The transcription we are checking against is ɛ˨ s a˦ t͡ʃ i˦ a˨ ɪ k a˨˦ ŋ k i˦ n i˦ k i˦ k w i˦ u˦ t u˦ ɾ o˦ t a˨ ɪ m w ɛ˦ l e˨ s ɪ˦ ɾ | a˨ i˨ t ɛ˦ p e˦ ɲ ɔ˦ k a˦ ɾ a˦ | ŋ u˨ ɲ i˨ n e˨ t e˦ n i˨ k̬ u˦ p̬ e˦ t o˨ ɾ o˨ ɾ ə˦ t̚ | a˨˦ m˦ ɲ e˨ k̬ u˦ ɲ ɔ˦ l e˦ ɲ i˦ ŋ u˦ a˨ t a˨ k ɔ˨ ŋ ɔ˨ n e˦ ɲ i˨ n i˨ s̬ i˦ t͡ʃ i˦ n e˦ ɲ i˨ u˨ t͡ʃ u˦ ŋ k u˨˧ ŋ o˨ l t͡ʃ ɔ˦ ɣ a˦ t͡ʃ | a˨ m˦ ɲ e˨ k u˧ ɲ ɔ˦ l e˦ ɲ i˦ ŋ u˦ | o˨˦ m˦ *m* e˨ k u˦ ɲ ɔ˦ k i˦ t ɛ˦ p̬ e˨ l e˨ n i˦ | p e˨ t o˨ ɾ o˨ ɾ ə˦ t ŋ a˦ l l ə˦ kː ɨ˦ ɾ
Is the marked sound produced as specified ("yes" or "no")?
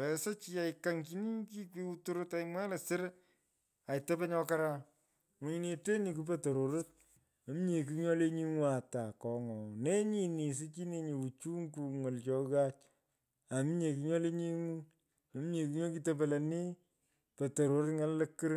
no